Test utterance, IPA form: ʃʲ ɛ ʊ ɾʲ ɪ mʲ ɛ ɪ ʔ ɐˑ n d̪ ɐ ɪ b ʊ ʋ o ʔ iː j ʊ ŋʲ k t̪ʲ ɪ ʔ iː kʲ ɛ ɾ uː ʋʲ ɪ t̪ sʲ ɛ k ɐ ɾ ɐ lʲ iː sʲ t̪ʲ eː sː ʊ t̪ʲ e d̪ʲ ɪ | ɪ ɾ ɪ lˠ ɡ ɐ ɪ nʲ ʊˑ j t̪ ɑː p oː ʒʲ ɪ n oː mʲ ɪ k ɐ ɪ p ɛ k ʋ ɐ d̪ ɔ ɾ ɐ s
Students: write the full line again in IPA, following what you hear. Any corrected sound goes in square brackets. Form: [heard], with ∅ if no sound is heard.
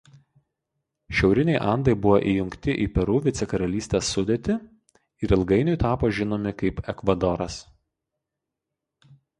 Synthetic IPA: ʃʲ ɛ ʊ ɾʲ ɪ [nʲ] ɛ ɪ ʔ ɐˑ n d̪ ɐ ɪ b ʊ ʋ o ʔ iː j ʊ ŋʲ k t̪ʲ ɪ ʔ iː [pʲ] ɛ ɾ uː ʋʲ ɪ t̪ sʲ ɛ k ɐ ɾ ɐ lʲ iː sʲ t̪ʲ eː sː ʊ [d̪ʲ] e [t̪ʲ] ɪ | ɪ ɾ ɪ lˠ ɡ ɐ ɪ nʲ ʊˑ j t̪ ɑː p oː ʒʲ ɪ n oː mʲ ɪ k ɐ ɪ p ɛ k ʋ ɐ d̪ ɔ ɾ ɐ s

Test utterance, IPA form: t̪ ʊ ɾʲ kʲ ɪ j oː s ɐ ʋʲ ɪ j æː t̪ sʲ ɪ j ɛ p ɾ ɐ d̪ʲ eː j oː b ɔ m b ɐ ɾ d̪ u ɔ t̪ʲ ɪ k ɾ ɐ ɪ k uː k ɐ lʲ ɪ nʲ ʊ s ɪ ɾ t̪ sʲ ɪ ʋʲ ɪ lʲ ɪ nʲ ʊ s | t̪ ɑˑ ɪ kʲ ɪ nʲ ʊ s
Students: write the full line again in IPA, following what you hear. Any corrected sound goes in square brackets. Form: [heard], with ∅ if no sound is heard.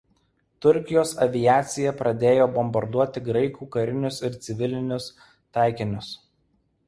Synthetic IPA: t̪ ʊ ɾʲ kʲ ɪ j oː s ɐ ʋʲ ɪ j æː t̪ sʲ ɪ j ɛ p ɾ ɐ d̪ʲ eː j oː b ɔ m b ɐ ɾ d̪ u ɔ t̪ʲ ɪ [ɡ] ɾ ɐ ɪ k uː k ɐ [ɾʲ] ɪ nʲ ʊ s ɪ ɾ t̪ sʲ ɪ ʋʲ ɪ lʲ ɪ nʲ ʊ s | t̪ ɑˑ ɪ kʲ ɪ nʲ ʊ s

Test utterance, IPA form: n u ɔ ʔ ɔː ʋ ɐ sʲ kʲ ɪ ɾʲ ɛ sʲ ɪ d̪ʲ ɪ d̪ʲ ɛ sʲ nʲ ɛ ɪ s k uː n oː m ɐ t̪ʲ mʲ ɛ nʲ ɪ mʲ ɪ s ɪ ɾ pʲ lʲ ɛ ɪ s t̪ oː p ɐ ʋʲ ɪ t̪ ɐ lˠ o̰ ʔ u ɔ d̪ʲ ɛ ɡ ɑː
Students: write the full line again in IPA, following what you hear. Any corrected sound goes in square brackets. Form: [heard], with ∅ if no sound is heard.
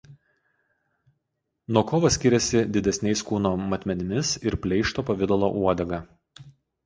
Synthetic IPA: n u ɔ [k] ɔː ʋ ɐ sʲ kʲ ɪ ɾʲ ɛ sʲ ɪ d̪ʲ ɪ d̪ʲ ɛ sʲ nʲ ɛ ɪ s k uː n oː m ɐ t̪ʲ mʲ ɛ nʲ ɪ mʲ ɪ s ɪ ɾ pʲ lʲ ɛ ɪ [ʃ] t̪ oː p ɐ ʋʲ ɪ [d̪] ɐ lˠ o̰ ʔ u ɔ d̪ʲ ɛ ɡ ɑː

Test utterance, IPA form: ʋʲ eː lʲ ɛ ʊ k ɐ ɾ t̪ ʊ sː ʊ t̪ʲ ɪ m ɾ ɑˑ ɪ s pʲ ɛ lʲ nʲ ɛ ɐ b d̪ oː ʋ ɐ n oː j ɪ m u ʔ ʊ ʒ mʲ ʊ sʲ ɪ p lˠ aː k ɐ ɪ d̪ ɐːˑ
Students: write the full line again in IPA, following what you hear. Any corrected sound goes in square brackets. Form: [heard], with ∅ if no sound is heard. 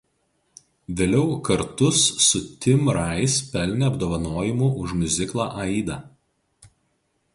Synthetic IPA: ʋʲ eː lʲ ɛ ʊ k ɐ ɾ t̪ ʊ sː ʊ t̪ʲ ɪ m ɾ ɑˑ ɪ s pʲ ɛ lʲ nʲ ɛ ɐ b d̪ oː ʋ ɐ n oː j ɪ m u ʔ ʊ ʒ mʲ ʊ [zʲ] ɪ [k] lˠ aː [ʔ] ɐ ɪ d̪ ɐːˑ

